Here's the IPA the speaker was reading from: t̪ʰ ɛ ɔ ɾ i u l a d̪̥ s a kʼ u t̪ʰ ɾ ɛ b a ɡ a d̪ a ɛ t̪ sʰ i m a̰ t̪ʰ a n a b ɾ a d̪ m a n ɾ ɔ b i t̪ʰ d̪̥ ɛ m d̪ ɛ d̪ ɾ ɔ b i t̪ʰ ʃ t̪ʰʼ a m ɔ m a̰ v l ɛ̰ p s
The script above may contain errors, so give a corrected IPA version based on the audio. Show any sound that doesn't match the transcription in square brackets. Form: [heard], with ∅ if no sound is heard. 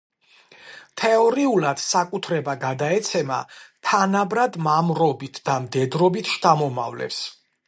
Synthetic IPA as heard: t̪ʰ ɛ ɔ ɾ i u l a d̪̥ s a kʼ u t̪ʰ ɾ ɛ b a ɡ a d̪ a ɛ t̪ sʰ [ɛ] m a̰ t̪ʰ a n a b ɾ a d̪ m a [m] ɾ ɔ b i t̪ʰ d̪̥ [a] m d̪ ɛ d̪ ɾ ɔ b i t̪ʰ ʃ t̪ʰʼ a m ɔ m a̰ v l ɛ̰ p s